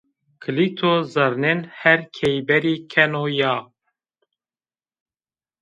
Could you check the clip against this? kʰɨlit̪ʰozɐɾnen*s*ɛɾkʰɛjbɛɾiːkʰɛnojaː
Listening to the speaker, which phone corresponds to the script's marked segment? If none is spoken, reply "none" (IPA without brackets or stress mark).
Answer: h